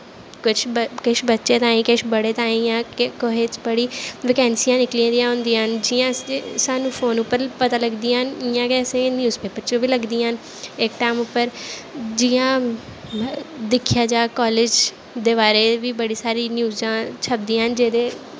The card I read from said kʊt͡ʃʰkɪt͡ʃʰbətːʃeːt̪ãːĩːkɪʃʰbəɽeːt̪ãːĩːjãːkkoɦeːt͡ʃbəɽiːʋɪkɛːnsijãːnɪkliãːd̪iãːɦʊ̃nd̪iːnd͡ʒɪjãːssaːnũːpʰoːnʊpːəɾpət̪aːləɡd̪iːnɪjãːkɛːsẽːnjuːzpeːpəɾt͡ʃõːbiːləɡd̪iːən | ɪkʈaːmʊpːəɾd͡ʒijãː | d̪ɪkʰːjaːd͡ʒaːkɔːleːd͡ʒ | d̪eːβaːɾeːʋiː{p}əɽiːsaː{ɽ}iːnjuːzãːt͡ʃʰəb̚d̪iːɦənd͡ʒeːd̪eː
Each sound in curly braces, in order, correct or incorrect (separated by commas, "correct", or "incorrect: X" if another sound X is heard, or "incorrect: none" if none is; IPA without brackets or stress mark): incorrect: b, incorrect: ɾ